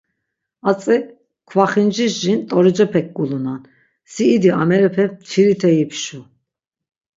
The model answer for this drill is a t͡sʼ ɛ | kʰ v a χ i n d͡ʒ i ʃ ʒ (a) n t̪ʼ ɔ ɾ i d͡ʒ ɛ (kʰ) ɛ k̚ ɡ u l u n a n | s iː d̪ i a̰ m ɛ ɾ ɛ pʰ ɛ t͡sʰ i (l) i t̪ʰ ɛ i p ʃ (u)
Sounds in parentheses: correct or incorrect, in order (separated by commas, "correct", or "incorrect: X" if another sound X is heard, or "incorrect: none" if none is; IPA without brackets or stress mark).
incorrect: i, incorrect: pʰ, incorrect: ɾ, correct